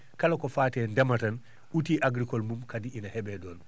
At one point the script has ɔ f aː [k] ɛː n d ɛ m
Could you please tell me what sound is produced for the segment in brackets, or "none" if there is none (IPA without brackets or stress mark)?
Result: t